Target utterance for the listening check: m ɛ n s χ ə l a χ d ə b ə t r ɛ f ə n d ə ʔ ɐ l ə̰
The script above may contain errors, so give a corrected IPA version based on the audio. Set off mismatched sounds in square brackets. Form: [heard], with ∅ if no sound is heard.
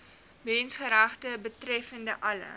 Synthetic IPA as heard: m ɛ n s χ ə [ɾ] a χ [t] ə b ə t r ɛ f ə n d ə ʔ ɐ l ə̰